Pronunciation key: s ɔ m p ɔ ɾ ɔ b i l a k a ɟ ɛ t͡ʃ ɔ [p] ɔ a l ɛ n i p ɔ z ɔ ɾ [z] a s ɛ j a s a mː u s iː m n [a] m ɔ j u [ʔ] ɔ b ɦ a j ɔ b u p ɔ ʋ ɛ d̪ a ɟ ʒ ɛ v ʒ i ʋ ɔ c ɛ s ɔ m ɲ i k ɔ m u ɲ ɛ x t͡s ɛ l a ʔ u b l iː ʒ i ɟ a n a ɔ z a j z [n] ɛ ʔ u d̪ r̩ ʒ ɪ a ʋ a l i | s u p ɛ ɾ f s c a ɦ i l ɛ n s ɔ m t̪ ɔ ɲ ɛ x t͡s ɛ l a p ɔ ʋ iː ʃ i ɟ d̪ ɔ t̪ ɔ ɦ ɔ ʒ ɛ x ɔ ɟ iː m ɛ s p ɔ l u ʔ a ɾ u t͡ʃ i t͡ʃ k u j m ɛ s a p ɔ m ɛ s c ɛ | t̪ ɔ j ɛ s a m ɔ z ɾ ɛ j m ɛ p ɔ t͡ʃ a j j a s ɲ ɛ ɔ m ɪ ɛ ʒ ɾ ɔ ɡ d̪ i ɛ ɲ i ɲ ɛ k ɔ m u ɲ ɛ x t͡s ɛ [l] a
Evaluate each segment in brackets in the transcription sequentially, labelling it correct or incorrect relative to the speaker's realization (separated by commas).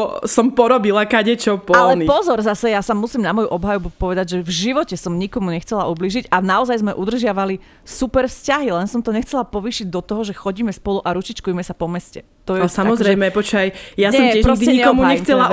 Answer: correct, correct, correct, correct, incorrect, correct